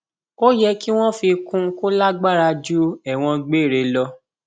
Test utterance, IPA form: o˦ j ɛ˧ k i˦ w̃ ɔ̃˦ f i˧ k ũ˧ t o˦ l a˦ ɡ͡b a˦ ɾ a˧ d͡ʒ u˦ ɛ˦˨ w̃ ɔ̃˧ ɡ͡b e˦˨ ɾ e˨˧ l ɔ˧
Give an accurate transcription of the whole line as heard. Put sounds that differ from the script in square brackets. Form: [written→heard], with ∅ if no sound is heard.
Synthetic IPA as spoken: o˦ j ɛ˧ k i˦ w̃ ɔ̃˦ f i˧ k ũ˧ [t→k] o˦ l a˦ ɡ͡b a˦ ɾ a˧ d͡ʒ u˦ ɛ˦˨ w̃ ɔ̃˧ ɡ͡b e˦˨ ɾ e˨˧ l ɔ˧

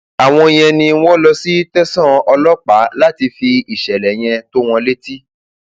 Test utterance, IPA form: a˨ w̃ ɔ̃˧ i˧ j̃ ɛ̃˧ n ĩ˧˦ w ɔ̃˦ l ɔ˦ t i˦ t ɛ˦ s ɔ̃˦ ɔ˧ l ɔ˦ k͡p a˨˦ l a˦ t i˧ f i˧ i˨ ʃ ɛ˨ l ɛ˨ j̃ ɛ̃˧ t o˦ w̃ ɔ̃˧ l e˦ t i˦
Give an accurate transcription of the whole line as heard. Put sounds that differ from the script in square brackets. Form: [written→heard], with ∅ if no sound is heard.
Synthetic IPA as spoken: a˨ w̃ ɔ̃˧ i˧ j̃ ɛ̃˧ n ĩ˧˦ w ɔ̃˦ l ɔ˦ [t→s] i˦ t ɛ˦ s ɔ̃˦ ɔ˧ l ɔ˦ k͡p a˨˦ l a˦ t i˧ f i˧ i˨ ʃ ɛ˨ l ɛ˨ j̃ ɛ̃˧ t o˦ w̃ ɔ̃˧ l e˦ t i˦

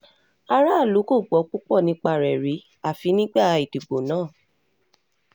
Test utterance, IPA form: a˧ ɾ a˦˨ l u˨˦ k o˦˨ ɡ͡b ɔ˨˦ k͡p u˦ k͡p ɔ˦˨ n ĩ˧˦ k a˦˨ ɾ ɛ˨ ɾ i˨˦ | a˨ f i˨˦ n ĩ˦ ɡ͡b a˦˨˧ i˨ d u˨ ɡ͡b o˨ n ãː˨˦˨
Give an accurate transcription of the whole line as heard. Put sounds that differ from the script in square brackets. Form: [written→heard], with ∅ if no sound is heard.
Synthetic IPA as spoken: a˧ ɾ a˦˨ l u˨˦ k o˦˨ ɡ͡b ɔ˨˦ k͡p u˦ k͡p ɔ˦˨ n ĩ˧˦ [k→k͡p] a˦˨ ɾ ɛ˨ ɾ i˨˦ | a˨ f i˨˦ n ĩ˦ ɡ͡b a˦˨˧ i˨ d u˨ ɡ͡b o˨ n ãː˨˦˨

